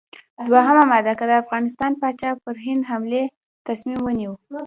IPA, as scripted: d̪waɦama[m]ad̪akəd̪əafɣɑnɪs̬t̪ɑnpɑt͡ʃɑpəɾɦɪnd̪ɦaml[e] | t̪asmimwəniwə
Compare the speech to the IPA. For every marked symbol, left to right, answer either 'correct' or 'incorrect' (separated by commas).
correct, correct